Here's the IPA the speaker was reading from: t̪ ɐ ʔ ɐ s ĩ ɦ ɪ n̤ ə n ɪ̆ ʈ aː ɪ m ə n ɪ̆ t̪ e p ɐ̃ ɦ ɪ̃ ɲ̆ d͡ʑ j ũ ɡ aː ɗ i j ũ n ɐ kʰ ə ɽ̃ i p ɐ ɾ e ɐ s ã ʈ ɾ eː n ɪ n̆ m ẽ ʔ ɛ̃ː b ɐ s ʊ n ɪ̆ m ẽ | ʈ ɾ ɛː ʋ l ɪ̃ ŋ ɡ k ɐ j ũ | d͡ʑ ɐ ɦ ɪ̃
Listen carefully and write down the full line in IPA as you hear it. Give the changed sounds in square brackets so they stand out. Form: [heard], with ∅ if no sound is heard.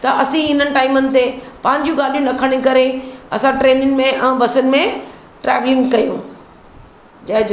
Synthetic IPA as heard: t̪ ɐ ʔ ɐ s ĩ ɦ ɪ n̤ ə n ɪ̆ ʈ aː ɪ m ə n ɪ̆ t̪ e p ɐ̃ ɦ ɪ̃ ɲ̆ d͡ʑ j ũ ɡ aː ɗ i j ũ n ɐ kʰ ə ɽ̃ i [k] ɐ ɾ e ɐ s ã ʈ ɾ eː n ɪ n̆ m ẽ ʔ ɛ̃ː b ɐ s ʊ n ɪ̆ m ẽ | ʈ ɾ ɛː ʋ l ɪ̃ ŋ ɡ k ɐ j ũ | d͡ʑ ɐ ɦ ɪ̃